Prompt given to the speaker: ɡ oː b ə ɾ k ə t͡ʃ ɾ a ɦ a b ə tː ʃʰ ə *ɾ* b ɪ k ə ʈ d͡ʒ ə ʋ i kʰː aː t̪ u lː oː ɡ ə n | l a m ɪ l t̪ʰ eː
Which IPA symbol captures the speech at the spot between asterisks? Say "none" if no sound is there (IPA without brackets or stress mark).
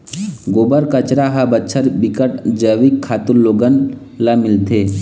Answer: ɾ